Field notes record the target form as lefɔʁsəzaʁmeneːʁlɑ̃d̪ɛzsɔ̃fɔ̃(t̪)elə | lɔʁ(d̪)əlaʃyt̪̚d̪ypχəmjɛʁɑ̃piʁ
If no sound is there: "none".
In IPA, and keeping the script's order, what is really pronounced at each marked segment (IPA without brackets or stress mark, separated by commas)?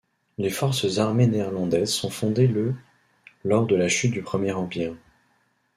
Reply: d̪, d̪